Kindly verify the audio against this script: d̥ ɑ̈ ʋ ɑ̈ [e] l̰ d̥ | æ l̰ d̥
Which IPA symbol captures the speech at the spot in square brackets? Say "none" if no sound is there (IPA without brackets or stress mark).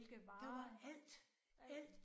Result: æ